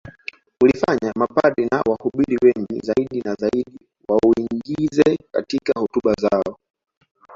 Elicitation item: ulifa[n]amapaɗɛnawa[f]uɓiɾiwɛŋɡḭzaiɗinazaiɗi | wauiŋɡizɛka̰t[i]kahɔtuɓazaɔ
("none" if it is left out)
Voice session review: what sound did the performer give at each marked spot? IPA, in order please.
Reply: ɲ, h, i

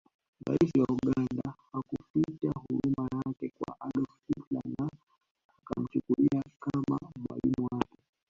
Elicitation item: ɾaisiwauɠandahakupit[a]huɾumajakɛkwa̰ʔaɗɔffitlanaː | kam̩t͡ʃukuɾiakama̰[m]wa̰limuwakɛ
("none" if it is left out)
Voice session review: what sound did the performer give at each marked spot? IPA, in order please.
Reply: a, m

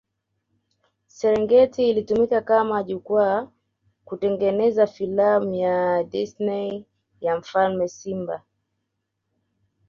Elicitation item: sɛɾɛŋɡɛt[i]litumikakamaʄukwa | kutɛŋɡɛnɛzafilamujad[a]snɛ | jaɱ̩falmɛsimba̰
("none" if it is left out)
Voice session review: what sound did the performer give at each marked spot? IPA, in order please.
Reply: iː, i

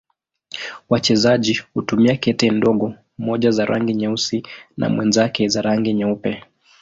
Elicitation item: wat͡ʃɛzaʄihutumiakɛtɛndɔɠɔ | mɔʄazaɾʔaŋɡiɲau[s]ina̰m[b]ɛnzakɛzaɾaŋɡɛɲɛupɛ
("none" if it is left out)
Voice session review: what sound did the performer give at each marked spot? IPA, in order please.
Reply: s, w

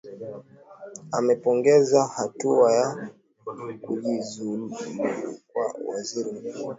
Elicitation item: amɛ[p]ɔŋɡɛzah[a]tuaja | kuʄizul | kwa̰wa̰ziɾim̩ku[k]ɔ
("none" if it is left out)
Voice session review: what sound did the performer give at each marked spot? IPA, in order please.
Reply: p, a, none

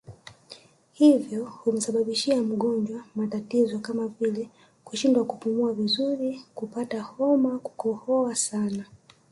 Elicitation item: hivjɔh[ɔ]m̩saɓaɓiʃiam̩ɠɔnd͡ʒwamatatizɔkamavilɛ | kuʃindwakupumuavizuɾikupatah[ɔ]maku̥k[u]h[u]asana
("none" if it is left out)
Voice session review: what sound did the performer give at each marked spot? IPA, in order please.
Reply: u, ɔ, ɔ, ɔ

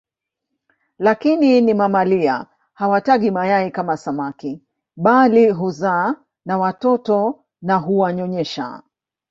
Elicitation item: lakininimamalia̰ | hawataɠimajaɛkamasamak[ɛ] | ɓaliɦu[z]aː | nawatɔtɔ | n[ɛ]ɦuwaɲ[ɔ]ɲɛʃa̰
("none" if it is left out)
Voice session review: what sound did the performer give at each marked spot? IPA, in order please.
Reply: i, z, a, ɔ

